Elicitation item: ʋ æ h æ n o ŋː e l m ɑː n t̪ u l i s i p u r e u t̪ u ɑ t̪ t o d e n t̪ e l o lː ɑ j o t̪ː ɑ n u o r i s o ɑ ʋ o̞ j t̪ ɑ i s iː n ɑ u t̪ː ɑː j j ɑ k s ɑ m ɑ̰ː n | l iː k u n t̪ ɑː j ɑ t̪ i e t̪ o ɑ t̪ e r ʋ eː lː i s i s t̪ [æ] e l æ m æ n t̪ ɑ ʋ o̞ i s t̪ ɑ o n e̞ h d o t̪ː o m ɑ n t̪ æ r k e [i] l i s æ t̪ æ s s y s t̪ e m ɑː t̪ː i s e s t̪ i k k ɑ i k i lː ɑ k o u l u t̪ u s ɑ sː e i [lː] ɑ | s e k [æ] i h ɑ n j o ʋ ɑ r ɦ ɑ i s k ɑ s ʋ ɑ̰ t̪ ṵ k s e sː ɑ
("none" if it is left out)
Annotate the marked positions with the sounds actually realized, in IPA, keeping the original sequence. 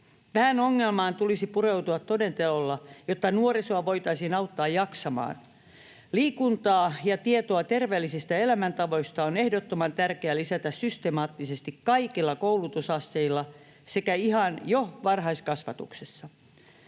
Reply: æ, æ, lː, æ

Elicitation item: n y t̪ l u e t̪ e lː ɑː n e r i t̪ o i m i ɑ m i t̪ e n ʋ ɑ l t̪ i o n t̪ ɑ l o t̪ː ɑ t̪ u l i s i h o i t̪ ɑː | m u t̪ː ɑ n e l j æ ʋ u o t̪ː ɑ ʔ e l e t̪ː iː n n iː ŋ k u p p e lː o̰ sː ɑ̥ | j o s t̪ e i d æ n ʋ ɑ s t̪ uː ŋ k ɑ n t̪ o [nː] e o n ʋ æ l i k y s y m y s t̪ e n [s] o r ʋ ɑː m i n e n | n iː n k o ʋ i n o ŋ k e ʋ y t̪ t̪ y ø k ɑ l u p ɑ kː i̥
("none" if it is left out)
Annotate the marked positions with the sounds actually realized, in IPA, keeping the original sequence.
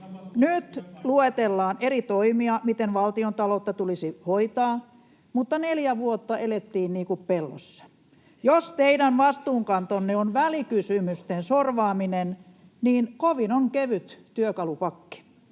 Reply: nː, s

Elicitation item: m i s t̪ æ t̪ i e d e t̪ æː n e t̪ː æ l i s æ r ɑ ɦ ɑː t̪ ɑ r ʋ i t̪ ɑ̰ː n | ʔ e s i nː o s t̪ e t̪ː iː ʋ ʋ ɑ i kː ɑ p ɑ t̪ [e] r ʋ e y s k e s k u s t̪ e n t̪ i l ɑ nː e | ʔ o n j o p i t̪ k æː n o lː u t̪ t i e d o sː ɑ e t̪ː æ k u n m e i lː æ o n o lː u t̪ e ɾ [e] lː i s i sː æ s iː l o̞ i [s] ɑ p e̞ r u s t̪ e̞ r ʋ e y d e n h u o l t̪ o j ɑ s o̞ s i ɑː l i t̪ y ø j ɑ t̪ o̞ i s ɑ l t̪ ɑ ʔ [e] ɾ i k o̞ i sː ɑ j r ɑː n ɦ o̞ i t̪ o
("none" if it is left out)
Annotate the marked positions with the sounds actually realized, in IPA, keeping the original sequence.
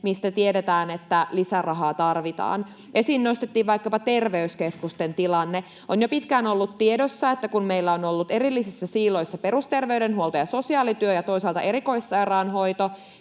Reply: e, i, sː, e

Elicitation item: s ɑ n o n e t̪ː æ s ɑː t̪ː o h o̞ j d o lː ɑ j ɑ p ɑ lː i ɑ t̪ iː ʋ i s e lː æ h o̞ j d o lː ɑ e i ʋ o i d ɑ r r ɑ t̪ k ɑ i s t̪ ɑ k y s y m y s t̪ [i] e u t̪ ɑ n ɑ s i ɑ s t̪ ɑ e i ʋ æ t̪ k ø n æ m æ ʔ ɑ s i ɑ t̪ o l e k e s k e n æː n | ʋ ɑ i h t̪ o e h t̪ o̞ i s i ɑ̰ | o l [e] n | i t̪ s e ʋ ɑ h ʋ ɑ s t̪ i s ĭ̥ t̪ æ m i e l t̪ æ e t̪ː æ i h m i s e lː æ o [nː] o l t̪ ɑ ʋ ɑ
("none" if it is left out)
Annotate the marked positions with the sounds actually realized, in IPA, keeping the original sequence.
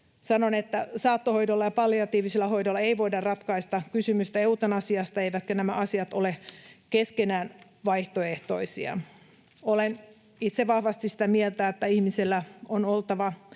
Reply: æ, e, n

